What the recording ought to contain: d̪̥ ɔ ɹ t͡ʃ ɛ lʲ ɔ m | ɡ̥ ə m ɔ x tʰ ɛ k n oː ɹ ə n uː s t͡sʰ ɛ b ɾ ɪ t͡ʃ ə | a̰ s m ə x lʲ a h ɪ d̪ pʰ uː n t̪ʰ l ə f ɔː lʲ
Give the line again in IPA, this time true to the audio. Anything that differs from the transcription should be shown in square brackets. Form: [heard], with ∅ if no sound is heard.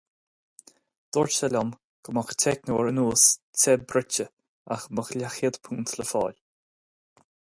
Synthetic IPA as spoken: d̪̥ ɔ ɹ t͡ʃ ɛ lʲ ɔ m | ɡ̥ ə m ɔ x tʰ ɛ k n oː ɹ ə n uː s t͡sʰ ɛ b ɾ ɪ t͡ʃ ə | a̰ [x] m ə x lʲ a [x] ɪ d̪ pʰ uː n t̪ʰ l ə f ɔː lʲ